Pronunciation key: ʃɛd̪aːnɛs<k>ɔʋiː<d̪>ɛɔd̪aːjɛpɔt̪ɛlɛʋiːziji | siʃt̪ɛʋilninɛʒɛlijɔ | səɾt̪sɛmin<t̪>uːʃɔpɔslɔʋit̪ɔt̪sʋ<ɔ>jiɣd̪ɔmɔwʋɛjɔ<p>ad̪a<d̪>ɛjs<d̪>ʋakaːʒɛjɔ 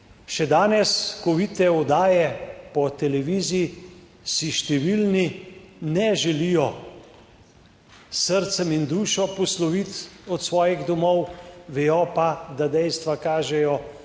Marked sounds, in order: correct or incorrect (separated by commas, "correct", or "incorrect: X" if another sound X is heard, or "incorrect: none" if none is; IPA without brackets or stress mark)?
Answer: correct, incorrect: t̪, incorrect: d̪, incorrect: ɔː, correct, correct, incorrect: t̪